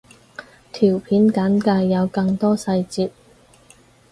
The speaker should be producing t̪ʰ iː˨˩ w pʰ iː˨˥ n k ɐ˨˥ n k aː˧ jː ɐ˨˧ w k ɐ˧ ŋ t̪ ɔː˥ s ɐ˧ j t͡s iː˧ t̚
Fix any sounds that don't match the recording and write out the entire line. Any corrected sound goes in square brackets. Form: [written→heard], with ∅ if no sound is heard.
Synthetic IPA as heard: t̪ʰ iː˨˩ w pʰ iː˨˥ n k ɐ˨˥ n k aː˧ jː ɐ˨˧ w k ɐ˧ ŋ t̪ ɔː˥ s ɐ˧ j t͡s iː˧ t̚